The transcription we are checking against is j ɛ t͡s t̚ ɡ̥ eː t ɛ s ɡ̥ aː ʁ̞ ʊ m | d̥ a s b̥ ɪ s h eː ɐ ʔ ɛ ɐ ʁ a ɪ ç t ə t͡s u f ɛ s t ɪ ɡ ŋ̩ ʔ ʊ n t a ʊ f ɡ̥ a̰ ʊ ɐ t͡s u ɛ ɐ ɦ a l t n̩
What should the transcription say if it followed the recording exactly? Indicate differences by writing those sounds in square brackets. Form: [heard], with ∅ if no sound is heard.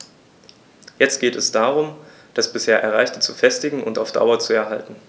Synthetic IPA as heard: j ɛ t͡s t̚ ɡ̥ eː t ɛ s [d̥] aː ʁ̞ ʊ m | d̥ a s b̥ ɪ s h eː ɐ ʔ ɛ ɐ ʁ a ɪ ç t ə t͡s u f ɛ s t ɪ ɡ ŋ̩ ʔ ʊ n t a ʊ f [d̥] a̰ ʊ ɐ t͡s u ɛ ɐ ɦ a l t n̩